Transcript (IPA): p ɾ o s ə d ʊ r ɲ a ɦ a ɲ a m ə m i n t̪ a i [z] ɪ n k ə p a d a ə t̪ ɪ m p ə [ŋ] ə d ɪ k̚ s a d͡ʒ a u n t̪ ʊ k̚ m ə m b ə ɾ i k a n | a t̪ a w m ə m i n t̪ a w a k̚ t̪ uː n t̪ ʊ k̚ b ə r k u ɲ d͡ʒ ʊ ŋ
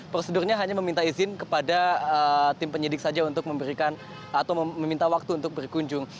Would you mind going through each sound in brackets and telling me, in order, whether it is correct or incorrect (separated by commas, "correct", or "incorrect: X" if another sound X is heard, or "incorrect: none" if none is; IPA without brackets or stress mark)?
correct, incorrect: ɲ